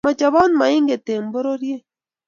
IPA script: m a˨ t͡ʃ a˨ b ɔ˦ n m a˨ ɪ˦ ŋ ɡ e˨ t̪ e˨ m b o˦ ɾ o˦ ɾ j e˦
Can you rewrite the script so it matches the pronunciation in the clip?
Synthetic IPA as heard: m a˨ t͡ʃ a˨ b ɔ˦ n m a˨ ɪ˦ ŋ ɡ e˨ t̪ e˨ m b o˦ ɾ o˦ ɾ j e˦